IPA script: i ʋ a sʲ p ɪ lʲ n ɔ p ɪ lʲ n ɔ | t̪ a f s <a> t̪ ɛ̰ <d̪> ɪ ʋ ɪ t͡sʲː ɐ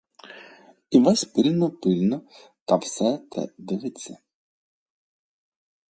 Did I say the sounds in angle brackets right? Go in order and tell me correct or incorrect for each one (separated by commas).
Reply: incorrect, correct